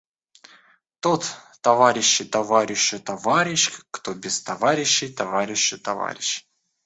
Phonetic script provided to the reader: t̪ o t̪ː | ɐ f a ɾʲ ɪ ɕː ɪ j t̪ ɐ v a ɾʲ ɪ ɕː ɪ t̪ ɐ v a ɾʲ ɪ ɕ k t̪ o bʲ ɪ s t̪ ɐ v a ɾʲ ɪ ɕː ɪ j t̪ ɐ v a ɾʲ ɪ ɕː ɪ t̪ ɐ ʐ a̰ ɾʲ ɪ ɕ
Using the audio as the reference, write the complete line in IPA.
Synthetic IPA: t̪ o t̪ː | ɐ v a ɾʲ ɪ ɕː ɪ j t̪ ɐ v a ɾʲ ɪ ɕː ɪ t̪ ɐ v a ɾʲ ɪ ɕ k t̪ o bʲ ɪ s t̪ ɐ v a ɾʲ ɪ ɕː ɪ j t̪ ɐ v a ɾʲ ɪ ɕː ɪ t̪ ɐ v a̰ ɾʲ ɪ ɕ